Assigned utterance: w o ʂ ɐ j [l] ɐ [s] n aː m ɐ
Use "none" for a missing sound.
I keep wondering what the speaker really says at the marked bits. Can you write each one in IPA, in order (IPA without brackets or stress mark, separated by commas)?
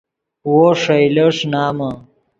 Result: l, ʂ